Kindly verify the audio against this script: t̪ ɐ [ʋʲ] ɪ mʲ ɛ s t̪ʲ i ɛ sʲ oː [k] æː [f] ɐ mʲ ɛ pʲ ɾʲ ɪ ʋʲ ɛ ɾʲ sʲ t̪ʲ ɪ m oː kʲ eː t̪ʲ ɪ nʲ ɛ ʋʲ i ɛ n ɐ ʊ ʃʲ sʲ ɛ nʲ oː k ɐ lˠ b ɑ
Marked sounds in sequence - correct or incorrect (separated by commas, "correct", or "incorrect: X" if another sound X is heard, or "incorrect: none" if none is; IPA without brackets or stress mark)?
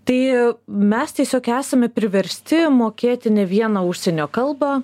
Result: incorrect: none, correct, incorrect: s